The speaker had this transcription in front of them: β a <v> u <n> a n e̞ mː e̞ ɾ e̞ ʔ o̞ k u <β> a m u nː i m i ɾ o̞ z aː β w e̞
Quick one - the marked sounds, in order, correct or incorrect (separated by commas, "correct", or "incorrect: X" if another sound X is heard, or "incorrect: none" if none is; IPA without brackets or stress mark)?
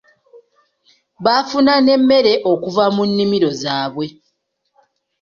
incorrect: f, correct, incorrect: v